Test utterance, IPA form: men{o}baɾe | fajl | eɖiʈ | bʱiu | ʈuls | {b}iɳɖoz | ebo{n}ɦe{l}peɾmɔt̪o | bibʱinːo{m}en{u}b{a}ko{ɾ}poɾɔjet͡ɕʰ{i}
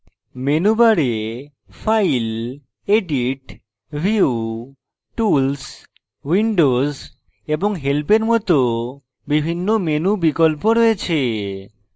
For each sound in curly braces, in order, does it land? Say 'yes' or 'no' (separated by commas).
no, no, no, yes, yes, yes, no, no, no